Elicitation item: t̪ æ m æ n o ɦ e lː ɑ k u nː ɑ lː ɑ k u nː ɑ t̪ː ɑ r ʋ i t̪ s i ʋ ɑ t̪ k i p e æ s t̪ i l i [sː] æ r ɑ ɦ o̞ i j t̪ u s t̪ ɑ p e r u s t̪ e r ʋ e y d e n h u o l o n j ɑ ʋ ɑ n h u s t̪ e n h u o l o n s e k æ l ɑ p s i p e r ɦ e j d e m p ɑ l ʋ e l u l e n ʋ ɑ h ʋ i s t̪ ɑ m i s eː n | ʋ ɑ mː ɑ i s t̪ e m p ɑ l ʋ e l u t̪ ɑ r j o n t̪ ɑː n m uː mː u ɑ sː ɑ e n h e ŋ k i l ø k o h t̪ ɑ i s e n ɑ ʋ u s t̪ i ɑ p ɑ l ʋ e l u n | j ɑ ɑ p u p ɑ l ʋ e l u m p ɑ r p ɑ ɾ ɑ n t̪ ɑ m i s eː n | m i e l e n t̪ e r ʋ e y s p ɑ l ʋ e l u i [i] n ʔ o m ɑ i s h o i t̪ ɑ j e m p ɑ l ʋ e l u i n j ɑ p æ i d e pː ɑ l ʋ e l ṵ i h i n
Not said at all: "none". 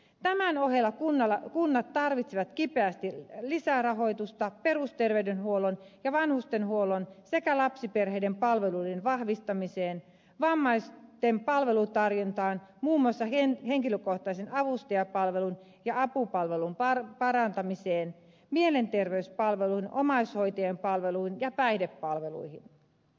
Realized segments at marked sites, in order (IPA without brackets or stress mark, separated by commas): s, i